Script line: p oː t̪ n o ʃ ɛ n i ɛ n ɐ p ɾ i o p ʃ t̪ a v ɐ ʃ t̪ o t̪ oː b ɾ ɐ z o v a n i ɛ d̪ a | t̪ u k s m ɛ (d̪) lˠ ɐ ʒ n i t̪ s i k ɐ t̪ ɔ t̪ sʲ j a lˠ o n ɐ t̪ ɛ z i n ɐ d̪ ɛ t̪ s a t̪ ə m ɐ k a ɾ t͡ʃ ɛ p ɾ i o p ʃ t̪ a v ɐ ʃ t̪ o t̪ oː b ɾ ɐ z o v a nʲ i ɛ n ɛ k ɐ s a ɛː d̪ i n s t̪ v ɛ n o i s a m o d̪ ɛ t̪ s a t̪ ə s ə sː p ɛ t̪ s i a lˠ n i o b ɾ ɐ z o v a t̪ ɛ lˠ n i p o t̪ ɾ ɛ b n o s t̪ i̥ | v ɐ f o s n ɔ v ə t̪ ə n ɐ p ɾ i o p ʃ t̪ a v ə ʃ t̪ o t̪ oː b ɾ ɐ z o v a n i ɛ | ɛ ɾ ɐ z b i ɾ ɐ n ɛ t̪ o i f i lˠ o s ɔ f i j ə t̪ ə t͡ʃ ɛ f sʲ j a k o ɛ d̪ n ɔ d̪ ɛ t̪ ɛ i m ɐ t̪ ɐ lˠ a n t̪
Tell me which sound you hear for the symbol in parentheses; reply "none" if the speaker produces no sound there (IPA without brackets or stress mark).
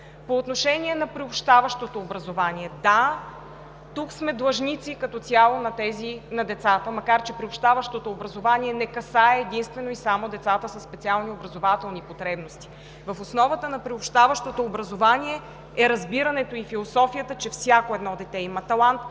d̪